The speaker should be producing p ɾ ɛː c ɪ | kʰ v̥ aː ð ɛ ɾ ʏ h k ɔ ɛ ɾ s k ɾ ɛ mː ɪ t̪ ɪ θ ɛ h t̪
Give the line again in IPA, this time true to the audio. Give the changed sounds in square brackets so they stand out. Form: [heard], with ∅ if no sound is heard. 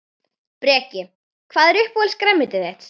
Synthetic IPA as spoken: p ɾ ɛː c ɪ | kʰ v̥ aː ð ɛ ɾ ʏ h [p] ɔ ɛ [l] s k ɾ ɛ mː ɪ t̪ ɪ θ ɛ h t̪